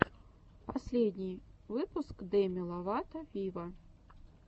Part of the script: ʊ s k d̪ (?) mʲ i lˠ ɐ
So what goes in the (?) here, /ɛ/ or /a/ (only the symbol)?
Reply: ɛ